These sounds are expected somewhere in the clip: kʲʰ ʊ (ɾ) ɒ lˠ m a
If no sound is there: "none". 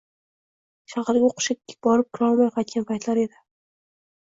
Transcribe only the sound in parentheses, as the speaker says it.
ɾ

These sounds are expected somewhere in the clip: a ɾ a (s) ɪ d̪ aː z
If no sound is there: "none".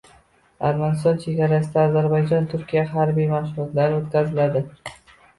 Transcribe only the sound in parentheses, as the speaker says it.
s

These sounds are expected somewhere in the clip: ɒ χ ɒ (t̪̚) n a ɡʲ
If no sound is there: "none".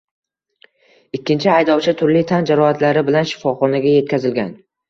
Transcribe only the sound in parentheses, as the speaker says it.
none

